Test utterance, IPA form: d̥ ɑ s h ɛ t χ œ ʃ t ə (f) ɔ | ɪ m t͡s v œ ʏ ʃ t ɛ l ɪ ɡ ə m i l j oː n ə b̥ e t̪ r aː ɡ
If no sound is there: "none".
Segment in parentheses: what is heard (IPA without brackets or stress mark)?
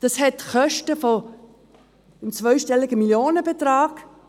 f